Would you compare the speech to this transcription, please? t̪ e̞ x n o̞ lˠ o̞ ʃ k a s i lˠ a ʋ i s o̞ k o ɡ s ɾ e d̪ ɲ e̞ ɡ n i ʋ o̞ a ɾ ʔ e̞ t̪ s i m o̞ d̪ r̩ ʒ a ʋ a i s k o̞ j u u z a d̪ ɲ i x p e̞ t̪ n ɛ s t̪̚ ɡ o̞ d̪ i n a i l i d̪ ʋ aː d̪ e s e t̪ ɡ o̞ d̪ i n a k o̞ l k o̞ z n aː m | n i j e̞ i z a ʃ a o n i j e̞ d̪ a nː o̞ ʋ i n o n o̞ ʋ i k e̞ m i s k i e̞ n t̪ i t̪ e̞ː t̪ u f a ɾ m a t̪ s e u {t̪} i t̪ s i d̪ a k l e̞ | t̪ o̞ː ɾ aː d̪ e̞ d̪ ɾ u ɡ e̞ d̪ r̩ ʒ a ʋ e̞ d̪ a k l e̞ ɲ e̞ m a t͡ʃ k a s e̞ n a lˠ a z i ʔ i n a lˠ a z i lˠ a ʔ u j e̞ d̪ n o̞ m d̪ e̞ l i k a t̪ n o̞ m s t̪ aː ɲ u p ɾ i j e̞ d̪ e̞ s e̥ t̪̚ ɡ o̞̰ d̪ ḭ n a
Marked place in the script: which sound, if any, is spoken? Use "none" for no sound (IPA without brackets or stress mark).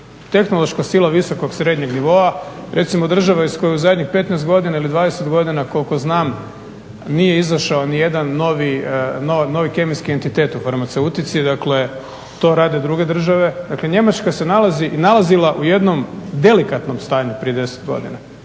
t̪